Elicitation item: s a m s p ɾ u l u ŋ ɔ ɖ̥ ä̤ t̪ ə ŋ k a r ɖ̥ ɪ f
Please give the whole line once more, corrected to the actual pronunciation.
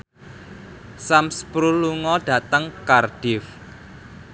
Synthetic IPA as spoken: s a m s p ɾ u l u ŋ ɔ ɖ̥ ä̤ t̪ ə ŋ k a r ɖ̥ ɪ f